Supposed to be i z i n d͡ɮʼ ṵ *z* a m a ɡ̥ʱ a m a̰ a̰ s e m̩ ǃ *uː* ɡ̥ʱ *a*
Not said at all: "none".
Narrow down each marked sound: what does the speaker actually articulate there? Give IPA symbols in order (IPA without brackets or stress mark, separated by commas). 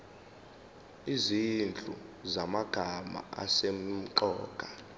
z, ɔː, a